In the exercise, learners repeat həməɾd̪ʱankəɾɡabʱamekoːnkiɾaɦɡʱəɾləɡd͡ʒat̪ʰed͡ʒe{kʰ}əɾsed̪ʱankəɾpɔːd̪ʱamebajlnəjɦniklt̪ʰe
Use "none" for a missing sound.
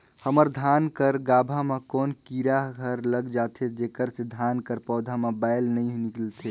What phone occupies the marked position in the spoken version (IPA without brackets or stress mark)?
k